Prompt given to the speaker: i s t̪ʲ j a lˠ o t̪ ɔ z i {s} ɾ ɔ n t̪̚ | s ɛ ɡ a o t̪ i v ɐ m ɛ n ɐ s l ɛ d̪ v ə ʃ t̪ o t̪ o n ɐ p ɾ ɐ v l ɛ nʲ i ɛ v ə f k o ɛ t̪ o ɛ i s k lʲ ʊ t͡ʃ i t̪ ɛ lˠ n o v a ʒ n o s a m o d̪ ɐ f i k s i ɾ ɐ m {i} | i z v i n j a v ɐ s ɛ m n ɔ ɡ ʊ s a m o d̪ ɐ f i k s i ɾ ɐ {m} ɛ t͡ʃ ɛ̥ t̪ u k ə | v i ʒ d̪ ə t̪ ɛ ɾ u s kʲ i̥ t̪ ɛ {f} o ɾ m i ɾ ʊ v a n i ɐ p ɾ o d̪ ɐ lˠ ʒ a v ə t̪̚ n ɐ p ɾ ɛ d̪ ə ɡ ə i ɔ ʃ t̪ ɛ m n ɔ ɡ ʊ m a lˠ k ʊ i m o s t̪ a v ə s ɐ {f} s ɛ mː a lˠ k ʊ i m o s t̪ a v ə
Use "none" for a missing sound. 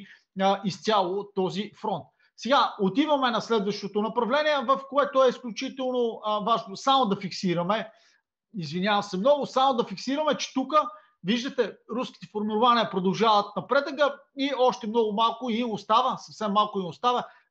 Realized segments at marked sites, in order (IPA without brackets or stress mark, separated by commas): f, ɛ, m, f, f